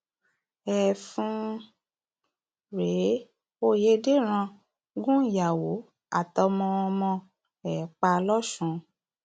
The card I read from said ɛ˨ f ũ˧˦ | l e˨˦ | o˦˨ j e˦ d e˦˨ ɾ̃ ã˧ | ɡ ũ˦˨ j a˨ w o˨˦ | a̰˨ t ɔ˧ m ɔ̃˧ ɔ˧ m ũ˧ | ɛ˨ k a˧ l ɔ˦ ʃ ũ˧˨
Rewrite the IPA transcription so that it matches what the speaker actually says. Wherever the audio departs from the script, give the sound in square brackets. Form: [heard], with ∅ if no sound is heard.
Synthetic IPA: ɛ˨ f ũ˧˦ | [ɾ] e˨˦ | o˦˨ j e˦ d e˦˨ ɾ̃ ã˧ | ɡ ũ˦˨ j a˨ w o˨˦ | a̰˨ t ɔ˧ m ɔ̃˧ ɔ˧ m [ɔ̃˧] | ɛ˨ [k͡p] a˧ l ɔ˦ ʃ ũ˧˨